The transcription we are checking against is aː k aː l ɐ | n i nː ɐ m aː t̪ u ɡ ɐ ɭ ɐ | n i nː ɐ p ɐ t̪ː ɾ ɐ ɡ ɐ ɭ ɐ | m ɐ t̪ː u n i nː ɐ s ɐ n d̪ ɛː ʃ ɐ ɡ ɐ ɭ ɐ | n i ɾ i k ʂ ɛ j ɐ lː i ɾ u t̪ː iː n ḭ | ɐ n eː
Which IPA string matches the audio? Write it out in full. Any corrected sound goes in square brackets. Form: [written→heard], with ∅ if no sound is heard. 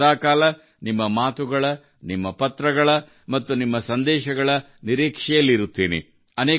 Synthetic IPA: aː k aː l ɐ | n i [nː→mː] ɐ m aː t̪ u ɡ ɐ ɭ ɐ | n i [nː→mː] ɐ p ɐ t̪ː ɾ ɐ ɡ ɐ ɭ ɐ | m ɐ t̪ː u n i [nː→mː] ɐ s ɐ n d̪ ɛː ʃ ɐ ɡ ɐ ɭ ɐ | n i ɾ [i→iː] k ʂ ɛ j ɐ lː i ɾ u t̪ː iː n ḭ | ɐ n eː